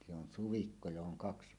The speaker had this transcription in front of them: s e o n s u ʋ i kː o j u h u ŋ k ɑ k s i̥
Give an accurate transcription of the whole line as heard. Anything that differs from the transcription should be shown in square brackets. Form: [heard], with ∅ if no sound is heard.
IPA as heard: s e o n s u ʋ i kː o j [o] h [o] ŋ k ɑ k s i̥